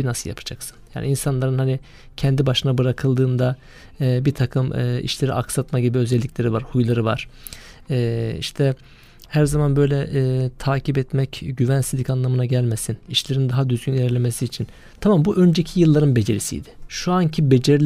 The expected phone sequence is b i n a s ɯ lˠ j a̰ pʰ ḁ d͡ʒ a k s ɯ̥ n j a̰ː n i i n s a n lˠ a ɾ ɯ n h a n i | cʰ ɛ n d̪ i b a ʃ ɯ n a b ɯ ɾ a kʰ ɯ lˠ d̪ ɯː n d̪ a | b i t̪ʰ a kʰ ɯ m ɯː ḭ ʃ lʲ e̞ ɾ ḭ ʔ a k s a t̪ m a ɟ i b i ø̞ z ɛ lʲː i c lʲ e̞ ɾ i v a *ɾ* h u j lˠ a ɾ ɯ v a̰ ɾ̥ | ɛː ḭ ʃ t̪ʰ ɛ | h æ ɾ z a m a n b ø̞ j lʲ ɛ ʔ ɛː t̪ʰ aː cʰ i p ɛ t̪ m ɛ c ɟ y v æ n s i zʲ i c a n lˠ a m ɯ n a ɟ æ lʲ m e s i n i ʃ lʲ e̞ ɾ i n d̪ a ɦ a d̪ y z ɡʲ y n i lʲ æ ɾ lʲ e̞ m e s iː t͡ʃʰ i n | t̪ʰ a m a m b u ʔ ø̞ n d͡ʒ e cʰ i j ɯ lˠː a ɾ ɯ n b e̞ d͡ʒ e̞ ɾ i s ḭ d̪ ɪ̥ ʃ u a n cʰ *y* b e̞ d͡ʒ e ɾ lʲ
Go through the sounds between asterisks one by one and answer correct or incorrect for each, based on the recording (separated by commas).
correct, incorrect